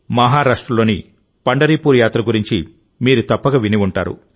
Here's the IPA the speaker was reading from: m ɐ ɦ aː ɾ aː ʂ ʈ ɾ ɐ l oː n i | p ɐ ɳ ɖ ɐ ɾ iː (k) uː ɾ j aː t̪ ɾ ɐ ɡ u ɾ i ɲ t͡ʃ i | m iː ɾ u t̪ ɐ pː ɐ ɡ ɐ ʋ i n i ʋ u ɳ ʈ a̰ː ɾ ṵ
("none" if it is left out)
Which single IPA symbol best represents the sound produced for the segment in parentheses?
p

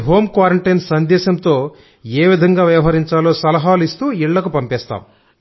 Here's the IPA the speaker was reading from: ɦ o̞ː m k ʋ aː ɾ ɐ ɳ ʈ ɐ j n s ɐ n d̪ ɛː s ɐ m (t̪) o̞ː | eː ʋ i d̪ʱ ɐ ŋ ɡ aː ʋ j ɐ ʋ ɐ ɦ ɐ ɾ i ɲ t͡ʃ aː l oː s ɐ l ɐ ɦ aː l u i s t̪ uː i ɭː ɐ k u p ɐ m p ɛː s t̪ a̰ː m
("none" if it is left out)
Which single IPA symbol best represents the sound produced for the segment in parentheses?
t̪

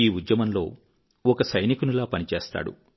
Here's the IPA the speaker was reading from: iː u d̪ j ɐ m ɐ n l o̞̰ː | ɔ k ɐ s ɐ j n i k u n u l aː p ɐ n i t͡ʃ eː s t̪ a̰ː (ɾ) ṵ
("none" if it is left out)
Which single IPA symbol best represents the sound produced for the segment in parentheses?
ɽ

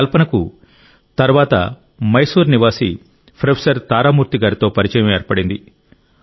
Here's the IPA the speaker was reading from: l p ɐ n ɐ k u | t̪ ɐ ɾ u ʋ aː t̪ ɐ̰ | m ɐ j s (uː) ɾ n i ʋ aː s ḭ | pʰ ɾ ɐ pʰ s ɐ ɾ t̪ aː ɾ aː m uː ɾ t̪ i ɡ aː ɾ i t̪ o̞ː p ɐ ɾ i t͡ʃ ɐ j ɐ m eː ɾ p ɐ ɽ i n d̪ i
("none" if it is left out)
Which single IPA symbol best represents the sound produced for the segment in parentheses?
uː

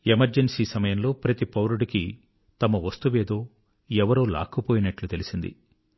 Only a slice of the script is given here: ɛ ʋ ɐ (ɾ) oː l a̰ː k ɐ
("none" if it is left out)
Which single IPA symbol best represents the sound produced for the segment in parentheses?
ɾ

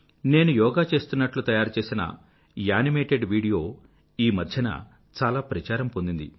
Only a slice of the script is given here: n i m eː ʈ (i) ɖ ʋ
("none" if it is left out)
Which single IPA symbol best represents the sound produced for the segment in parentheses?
e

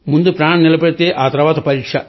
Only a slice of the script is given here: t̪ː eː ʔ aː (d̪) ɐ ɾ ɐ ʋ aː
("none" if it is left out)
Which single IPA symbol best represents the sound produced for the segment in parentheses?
t̪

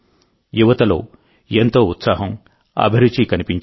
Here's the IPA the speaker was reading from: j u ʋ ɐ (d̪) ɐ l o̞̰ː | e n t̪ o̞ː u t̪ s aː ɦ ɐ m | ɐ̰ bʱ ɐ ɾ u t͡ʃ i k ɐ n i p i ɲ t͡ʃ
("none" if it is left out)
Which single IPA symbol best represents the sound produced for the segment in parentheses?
t̪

